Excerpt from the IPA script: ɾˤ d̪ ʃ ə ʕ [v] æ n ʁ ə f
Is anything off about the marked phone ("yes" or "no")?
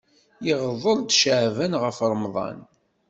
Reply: no